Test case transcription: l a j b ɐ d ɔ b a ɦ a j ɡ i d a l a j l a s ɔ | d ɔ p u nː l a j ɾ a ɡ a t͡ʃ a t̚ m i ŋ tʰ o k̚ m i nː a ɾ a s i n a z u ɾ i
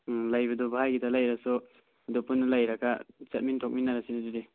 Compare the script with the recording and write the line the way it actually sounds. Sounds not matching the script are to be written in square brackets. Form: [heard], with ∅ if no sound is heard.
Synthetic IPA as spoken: l a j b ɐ d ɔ b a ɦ a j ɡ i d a l a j [ɾ] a s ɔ | d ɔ p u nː l a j ɾ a ɡ a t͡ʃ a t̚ m i [n] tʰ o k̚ m i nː a ɾ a s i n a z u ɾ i